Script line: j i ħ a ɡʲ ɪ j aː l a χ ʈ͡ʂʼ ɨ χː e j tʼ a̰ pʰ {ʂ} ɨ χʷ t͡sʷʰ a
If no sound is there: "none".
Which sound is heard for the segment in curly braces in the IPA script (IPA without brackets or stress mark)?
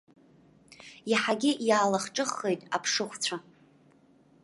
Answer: ʂ